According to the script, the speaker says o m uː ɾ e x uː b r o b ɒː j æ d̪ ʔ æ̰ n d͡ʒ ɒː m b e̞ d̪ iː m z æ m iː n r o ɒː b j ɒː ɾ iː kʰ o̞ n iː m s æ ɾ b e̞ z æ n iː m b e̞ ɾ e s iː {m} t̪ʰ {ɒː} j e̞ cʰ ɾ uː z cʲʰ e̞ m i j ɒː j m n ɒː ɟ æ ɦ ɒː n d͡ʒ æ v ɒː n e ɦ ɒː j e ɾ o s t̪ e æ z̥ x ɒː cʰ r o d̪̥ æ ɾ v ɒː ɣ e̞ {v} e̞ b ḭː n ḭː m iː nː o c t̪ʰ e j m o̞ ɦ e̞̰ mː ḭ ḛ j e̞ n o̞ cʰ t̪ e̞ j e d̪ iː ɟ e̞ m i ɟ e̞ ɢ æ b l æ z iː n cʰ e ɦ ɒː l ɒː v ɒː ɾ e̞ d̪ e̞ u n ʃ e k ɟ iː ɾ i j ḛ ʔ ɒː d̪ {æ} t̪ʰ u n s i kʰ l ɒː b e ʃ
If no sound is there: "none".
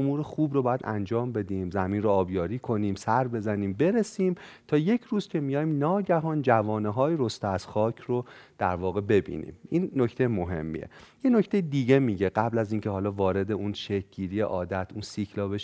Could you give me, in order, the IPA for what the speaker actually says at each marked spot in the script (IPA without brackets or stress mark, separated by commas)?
m, ɒː, b, æ